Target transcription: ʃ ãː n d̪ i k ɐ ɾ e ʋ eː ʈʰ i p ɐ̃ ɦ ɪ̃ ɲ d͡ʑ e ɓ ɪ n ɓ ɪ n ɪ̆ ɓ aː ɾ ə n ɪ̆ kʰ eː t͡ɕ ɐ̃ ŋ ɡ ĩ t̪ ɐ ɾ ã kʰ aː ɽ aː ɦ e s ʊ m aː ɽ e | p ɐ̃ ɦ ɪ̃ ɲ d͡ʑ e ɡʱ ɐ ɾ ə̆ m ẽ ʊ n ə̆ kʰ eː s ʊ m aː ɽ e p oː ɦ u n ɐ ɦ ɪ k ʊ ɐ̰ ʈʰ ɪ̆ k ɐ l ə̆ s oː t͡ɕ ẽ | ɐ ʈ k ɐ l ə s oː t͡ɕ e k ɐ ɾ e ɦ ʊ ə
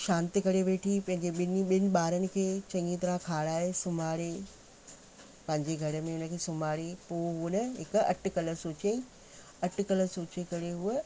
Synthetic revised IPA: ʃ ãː n t̪ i k ɐ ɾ e ʋ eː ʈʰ i p ɐ̃ ɦ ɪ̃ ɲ d͡ʑ e ɓ ɪ n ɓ ɪ n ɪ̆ ɓ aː ɾ ə n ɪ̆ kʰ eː t͡ɕ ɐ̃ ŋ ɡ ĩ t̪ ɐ ɾ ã kʰ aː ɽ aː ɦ e s ʊ m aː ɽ e | p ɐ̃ ɦ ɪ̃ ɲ d͡ʑ e ɡʱ ɐ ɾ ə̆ m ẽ ʊ n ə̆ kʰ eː s ʊ m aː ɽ e p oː ɦ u n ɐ ɦ ɪ k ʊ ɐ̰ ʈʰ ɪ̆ k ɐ l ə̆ s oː t͡ɕ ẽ | ɐ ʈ k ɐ l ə s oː t͡ɕ e k ɐ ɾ e ɦ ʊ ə